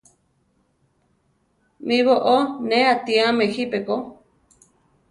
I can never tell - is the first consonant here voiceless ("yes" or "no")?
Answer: no